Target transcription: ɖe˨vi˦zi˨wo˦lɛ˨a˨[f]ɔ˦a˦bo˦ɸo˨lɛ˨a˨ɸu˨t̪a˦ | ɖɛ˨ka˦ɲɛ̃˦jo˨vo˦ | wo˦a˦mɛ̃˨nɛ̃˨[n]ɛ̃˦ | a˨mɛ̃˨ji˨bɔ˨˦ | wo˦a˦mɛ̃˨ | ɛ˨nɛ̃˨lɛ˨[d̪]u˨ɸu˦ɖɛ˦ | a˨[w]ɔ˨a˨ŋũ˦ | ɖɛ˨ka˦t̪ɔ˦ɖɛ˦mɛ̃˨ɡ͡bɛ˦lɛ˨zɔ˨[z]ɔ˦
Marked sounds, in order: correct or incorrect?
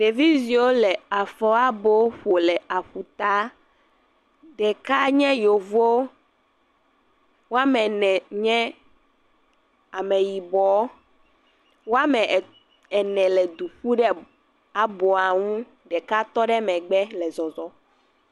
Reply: correct, incorrect, correct, incorrect, correct

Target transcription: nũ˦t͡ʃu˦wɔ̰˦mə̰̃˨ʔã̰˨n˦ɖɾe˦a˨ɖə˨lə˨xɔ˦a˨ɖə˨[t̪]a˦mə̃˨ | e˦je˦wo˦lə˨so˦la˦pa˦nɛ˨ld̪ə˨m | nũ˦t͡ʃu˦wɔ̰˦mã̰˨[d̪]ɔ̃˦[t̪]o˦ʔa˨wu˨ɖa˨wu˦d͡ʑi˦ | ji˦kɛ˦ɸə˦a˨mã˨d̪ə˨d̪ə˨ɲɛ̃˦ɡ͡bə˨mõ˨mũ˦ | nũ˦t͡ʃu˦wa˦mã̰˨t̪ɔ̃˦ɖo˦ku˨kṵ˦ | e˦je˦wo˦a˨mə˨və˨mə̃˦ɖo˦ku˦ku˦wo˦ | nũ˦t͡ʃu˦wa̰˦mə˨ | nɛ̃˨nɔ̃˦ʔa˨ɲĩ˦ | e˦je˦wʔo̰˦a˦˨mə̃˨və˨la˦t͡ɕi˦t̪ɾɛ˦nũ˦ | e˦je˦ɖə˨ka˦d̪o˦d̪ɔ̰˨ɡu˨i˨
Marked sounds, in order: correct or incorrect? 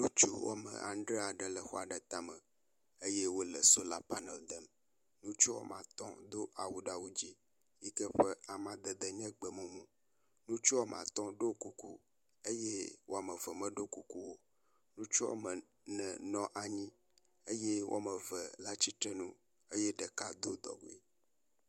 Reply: correct, incorrect, incorrect

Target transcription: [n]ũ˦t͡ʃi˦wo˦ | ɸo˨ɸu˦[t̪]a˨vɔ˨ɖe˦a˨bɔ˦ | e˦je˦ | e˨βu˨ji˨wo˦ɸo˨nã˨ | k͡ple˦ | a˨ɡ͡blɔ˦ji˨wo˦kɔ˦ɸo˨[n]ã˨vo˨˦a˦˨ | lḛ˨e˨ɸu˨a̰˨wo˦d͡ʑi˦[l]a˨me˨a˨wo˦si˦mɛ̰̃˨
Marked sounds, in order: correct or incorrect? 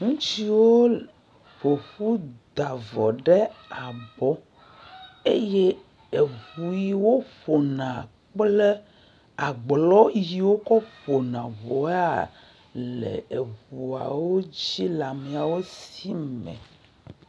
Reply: incorrect, incorrect, correct, correct

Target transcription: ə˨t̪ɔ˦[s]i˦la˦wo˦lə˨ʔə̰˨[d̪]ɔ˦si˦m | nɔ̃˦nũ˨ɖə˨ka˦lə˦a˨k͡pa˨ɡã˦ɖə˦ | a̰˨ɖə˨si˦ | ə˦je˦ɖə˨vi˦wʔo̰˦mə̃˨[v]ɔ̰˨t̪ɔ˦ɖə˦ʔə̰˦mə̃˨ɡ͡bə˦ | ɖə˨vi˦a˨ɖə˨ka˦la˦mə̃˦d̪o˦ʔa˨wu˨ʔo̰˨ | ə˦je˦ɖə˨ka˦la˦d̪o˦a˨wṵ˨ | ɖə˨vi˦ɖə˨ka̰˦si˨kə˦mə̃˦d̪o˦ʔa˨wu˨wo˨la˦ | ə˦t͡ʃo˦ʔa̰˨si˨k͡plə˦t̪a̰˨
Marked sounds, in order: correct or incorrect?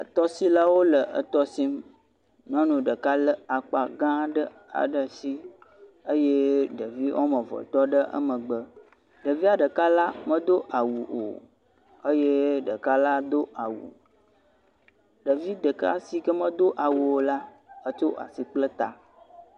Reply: correct, incorrect, correct

